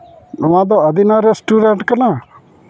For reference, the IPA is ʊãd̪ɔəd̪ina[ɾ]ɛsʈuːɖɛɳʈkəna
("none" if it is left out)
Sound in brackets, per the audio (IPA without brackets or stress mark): ɾ